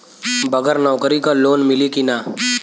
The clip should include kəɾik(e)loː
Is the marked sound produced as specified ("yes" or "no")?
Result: no